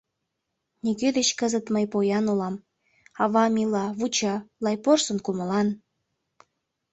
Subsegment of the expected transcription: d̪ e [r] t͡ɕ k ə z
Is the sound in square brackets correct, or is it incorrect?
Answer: incorrect: none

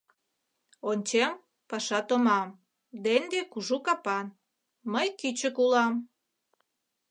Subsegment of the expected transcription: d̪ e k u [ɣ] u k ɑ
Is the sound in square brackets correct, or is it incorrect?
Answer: incorrect: ʒ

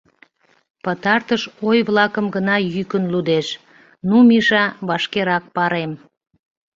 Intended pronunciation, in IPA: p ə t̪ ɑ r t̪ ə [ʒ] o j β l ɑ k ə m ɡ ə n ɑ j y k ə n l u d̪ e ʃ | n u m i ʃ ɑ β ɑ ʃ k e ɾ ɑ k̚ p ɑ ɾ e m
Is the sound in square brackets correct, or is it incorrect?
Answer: incorrect: ʃ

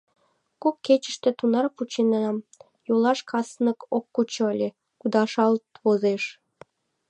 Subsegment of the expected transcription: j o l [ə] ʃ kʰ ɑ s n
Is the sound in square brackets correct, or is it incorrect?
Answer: incorrect: ɑ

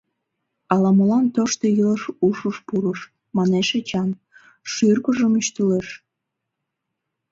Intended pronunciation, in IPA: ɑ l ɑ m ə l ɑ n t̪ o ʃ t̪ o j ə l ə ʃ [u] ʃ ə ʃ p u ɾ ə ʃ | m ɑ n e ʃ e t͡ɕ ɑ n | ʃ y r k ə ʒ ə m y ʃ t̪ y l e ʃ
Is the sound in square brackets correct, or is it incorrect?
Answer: correct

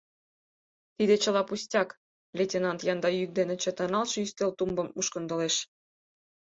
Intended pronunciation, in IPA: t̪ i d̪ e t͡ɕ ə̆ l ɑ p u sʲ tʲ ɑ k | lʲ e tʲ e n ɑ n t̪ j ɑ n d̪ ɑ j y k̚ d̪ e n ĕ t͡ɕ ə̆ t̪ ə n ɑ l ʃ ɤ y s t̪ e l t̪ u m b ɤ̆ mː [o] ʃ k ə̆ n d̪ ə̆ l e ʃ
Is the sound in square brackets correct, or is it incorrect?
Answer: incorrect: u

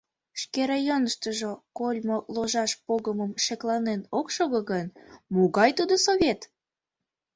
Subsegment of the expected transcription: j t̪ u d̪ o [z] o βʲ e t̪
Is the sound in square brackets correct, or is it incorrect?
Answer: incorrect: s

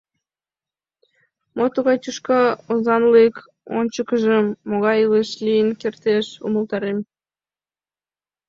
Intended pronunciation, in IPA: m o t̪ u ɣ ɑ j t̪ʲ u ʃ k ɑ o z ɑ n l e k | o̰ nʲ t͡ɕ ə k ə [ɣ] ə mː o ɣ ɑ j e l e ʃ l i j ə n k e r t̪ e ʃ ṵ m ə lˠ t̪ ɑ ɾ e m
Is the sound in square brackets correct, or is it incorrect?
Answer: incorrect: ʒ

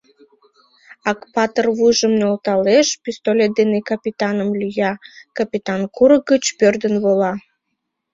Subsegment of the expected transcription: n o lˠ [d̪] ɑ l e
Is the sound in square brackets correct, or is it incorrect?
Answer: incorrect: t̪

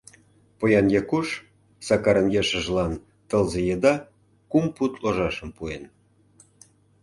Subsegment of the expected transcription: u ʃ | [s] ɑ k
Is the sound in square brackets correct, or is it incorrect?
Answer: correct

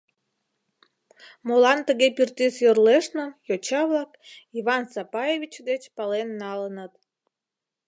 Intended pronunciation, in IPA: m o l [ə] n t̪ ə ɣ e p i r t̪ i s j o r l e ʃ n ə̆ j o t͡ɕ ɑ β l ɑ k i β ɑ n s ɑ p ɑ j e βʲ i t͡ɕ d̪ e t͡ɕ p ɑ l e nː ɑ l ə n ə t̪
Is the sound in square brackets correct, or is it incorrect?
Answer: incorrect: ɑ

